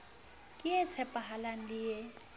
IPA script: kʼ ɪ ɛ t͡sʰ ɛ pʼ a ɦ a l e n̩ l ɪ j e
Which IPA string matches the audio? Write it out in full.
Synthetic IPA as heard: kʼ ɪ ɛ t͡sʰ ɛ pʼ a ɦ a l a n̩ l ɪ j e